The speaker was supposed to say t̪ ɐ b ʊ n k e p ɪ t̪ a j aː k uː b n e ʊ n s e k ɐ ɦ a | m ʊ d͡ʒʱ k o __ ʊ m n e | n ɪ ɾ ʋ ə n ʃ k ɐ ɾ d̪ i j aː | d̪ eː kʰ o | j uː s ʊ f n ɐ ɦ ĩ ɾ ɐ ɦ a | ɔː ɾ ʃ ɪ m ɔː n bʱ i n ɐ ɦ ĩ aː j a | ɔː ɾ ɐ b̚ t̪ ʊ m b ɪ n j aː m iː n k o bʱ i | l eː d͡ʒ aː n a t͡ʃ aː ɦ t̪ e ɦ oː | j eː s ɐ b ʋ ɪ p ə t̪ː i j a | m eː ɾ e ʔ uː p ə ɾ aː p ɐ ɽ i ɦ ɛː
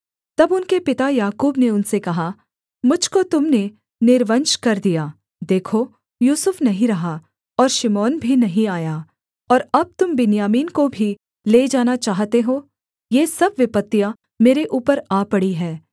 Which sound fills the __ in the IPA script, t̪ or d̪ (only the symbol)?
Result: t̪